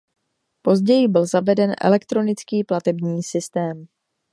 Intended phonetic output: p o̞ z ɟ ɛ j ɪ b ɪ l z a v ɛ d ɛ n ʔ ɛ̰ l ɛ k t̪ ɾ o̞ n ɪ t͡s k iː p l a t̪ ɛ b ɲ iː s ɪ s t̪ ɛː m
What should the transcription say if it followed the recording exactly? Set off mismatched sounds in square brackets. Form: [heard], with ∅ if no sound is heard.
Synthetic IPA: p o̞ z ɟ ɛ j ɪ b ɪ l z a v ɛ d ɛ n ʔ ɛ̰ l ɛ k t̪ ɾ o̞ n ɪ t͡s k iː p l a t̪ ɛ b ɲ iː s ɪ s t̪ ɛː m